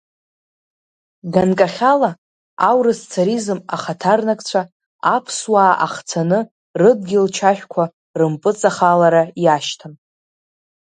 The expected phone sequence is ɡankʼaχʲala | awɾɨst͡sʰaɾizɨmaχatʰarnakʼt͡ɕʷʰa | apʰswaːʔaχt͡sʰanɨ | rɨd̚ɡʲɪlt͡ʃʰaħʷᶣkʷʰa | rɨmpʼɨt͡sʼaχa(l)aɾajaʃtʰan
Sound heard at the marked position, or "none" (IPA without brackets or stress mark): l